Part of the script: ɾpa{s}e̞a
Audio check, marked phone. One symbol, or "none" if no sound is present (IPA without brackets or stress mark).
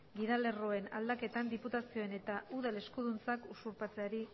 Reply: t͡s